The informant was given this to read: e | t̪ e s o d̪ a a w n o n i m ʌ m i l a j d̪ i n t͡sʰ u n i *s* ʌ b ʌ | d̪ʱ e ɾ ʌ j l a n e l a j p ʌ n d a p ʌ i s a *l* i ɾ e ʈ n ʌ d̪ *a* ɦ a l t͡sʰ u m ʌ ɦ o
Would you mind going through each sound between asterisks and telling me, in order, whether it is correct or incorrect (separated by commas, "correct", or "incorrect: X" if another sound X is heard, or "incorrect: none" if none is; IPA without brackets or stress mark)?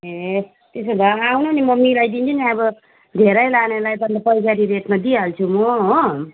incorrect: none, incorrect: ɾ, incorrect: i